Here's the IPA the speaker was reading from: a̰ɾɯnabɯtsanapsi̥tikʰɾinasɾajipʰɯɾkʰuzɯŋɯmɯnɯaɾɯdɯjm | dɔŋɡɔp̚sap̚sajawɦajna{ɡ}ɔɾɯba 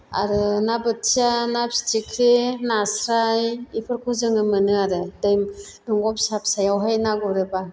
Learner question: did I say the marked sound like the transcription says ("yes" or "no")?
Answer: yes